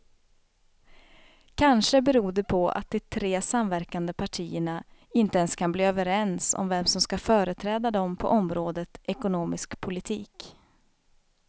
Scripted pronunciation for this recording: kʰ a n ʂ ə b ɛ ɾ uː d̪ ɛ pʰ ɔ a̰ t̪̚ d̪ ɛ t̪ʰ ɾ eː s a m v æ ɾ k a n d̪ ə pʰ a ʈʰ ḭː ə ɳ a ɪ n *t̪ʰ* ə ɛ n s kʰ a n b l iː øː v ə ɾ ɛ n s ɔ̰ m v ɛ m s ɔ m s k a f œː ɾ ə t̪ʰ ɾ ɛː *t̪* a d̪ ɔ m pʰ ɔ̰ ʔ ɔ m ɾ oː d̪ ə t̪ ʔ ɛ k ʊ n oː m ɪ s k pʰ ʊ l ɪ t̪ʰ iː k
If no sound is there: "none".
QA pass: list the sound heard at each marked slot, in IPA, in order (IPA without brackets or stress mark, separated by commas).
t̪, d̪